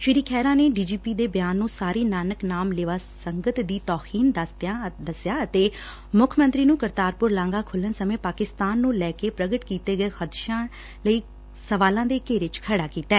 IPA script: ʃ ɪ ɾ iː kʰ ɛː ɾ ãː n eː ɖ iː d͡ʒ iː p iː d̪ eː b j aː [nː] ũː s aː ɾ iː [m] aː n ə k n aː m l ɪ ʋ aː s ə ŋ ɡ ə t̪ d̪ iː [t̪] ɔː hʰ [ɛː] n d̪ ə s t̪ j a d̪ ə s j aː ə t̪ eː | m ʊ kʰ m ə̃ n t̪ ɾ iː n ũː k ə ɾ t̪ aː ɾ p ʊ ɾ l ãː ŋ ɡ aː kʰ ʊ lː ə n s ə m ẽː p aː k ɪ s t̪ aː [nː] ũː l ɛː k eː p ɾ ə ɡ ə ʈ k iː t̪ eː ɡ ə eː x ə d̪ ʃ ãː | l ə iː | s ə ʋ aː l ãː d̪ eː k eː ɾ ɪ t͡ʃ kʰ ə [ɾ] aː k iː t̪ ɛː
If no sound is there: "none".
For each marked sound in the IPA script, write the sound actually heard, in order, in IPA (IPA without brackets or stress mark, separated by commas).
nː, n, t̪, iː, nː, ɽ